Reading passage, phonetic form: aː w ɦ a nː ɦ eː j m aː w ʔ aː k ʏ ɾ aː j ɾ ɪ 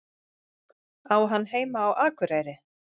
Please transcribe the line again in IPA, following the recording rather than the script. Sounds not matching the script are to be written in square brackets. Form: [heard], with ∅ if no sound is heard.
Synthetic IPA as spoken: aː w ɦ a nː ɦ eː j m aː w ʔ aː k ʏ ɾ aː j ɾ ɪ